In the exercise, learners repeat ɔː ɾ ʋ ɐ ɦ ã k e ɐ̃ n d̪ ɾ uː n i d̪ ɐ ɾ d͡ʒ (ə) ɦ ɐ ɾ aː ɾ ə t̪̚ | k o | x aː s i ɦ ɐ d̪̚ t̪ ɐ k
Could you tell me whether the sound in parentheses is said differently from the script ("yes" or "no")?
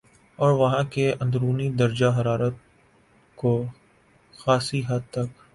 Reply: yes